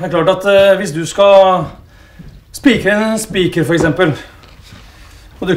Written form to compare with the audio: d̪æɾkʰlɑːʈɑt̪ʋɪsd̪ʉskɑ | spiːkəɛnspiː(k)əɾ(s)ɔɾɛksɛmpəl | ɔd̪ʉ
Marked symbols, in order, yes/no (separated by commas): yes, no